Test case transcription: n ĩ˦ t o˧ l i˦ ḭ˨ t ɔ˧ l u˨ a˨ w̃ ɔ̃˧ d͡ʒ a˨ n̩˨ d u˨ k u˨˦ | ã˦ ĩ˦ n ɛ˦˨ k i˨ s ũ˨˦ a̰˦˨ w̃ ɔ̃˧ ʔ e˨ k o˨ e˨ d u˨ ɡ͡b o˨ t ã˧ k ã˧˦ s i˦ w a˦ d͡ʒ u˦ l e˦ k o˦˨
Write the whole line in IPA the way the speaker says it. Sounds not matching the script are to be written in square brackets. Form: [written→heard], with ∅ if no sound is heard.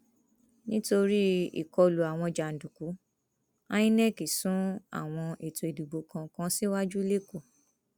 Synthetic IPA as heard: n ĩ˦ t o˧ [l→ɾ] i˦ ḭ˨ [t→k] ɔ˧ l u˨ a˨ w̃ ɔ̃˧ d͡ʒ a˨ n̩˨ d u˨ k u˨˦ | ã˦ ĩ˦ n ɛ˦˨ k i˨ s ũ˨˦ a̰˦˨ w̃ ɔ̃˧ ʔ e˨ [k→t] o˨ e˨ d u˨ ɡ͡b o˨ [t→k] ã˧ k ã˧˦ s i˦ w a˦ d͡ʒ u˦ l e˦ k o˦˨

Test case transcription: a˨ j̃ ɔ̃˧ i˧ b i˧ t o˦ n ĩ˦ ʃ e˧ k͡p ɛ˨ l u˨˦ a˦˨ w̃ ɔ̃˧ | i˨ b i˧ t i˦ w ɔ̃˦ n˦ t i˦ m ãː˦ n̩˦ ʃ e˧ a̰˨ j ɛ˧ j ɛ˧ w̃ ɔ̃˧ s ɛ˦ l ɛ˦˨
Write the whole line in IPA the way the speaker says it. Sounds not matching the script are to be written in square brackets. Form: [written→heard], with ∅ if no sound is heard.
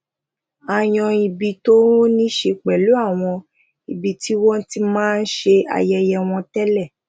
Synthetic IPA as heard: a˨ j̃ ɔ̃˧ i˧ b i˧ t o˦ n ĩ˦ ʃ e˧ k͡p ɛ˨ l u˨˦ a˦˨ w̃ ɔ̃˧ | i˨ b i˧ t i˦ w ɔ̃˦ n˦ t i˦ m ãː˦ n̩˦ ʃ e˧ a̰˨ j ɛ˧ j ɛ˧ w̃ ɔ̃˧ [s→t] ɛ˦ l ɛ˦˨

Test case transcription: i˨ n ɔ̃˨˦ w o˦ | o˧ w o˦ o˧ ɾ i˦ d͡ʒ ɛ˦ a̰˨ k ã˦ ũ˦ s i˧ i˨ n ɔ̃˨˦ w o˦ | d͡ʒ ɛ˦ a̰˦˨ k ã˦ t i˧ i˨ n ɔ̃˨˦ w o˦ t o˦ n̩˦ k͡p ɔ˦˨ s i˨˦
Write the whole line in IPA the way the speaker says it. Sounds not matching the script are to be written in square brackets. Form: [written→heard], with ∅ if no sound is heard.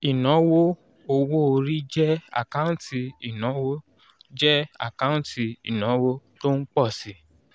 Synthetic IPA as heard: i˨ n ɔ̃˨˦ w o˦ | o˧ w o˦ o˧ ɾ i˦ d͡ʒ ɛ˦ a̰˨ k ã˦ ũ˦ [s→t] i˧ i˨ n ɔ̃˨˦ w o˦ | d͡ʒ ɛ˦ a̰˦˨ k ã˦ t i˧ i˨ n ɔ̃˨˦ w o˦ t o˦ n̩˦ k͡p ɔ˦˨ s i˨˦

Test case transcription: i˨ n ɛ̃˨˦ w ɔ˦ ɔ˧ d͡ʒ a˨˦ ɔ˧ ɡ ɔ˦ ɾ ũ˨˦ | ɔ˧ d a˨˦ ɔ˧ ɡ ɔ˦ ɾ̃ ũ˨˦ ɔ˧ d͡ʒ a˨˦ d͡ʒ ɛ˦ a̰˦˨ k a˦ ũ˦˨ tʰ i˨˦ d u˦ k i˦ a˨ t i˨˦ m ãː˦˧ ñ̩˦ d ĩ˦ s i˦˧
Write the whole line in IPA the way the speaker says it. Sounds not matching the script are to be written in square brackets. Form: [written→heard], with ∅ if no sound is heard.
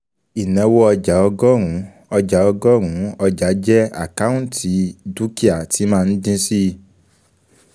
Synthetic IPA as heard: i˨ n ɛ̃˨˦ w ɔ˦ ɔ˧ d͡ʒ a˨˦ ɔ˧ ɡ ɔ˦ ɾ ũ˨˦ | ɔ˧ [d→d͡ʒ] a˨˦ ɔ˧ ɡ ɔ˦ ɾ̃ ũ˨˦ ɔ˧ d͡ʒ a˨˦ d͡ʒ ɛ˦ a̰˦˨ k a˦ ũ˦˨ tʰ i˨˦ d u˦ k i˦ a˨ t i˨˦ m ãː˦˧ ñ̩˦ d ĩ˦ s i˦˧

